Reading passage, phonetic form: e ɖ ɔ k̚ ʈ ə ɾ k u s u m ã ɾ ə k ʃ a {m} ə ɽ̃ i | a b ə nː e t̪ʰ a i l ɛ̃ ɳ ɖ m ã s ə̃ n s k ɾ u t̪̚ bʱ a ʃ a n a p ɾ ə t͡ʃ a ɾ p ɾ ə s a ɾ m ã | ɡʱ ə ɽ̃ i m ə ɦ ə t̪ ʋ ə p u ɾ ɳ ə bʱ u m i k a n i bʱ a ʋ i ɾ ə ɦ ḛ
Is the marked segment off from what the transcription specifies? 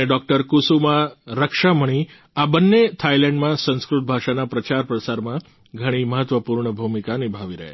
no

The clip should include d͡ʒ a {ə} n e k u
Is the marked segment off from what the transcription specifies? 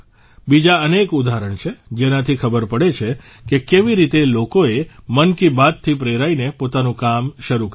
no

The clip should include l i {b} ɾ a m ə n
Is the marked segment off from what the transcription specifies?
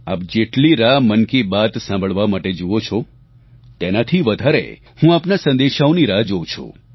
yes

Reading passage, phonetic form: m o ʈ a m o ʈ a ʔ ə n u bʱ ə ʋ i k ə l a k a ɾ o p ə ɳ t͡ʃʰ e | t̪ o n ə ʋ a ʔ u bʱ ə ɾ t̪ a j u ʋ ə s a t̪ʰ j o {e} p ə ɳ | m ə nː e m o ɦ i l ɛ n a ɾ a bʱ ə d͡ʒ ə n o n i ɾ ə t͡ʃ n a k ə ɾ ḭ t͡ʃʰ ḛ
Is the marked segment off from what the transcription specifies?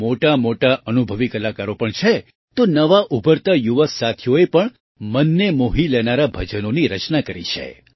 no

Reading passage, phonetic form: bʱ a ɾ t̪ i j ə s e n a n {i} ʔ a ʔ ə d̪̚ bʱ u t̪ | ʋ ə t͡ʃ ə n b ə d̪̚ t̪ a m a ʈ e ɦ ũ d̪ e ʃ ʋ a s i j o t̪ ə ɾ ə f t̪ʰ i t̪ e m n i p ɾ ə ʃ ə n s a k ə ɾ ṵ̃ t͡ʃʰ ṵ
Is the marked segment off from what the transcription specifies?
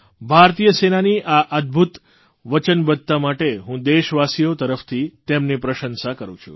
no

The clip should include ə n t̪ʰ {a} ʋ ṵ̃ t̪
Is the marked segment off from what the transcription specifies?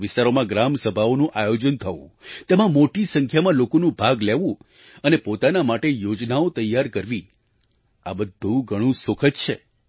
yes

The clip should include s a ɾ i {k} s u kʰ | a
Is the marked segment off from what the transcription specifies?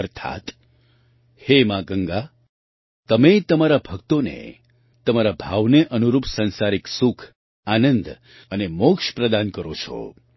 no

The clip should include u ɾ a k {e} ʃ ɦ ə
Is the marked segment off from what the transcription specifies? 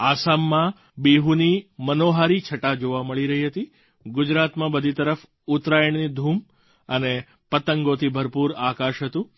yes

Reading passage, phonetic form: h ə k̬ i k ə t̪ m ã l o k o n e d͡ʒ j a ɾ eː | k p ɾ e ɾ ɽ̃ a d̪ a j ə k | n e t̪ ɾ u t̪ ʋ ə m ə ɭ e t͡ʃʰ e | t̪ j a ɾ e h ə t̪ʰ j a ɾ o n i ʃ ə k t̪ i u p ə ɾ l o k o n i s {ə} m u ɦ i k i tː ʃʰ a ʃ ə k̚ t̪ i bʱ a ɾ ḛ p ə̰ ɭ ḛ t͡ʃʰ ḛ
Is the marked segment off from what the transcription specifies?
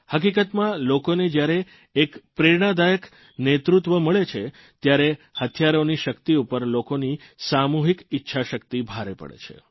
yes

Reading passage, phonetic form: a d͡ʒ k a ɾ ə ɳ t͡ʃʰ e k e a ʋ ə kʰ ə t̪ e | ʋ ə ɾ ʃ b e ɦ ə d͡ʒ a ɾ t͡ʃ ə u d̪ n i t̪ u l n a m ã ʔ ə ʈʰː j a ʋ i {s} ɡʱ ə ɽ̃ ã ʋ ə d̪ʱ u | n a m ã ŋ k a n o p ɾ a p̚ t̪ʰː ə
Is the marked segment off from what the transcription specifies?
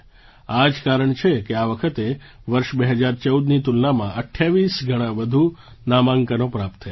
no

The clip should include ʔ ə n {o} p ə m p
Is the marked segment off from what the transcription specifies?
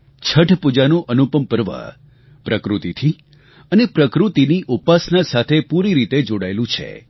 yes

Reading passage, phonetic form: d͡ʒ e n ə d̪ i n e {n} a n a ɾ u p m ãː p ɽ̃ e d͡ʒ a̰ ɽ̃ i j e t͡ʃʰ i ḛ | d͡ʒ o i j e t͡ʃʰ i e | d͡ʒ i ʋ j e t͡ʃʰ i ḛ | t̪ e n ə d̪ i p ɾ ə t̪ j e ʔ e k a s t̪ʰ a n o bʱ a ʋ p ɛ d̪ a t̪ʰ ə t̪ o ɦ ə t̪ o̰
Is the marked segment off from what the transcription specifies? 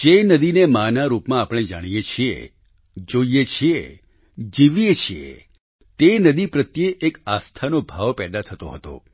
yes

